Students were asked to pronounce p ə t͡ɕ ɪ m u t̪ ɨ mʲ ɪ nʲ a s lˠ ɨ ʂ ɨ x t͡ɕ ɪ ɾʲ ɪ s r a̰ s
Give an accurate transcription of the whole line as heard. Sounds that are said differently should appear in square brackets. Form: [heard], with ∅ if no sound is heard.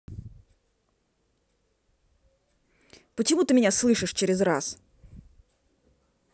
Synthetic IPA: p ə t͡ɕ ɪ m u t̪ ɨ mʲ ɪ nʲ a s lˠ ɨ ʂ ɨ [ʂ] t͡ɕ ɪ ɾʲ ɪ [z] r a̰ s